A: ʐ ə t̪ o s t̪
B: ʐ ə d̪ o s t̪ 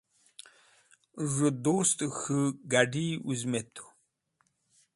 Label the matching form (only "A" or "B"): B